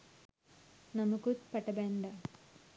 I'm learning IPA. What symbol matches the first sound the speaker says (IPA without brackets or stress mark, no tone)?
n